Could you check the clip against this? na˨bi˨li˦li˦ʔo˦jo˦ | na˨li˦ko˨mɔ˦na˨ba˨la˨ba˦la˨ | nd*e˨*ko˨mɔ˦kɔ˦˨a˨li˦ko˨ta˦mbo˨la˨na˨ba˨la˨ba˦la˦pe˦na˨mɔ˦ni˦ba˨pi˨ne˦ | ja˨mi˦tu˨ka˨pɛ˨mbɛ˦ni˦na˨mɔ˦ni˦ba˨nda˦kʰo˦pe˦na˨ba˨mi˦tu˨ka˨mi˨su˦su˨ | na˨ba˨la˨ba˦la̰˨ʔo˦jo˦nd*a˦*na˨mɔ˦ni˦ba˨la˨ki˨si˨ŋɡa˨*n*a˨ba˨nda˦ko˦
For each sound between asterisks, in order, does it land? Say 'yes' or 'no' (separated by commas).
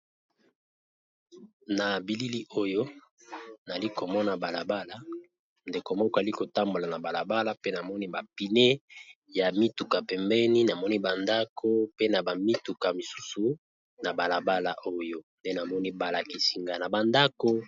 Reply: yes, no, yes